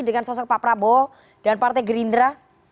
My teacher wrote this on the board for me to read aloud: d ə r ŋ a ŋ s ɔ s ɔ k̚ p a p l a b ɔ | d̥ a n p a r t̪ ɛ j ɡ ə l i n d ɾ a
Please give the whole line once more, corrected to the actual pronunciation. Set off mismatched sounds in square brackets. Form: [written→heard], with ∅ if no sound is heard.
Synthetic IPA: d ə [r→∅] ŋ a [ŋ→n] s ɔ s ɔ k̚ p a p [l→ɾ] a b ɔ | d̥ a n p a r t̪ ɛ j ɡ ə [l→ɾ] i n d ɾ a